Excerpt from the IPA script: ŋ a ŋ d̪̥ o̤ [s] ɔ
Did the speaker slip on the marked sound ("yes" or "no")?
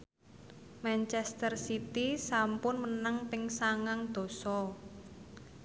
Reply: no